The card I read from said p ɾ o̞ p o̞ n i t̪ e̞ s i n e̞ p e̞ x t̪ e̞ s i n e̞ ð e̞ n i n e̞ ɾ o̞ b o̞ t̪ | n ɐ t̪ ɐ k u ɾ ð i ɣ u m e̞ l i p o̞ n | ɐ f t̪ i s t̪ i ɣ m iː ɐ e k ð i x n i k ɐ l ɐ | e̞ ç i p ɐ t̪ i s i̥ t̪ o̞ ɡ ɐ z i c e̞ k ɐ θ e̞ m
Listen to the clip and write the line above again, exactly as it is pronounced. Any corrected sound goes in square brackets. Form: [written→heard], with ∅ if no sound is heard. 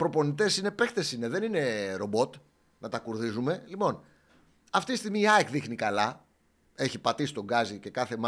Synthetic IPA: p ɾ o̞ p o̞ n i t̪ e̞ s i n e̞ p e̞ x t̪ e̞ s i n e̞ ð e̞ n i n e̞ ɾ o̞ b o̞ t̪ | n ɐ t̪ ɐ k u ɾ ð i [ɣ→z] u m e̞ l i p o̞ n | ɐ f t̪ i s t̪ i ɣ m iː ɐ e k ð i x n i k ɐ l ɐ | e̞ ç i p ɐ t̪ i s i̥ t̪ o̞ ɡ ɐ z i c e̞ k ɐ θ e̞ m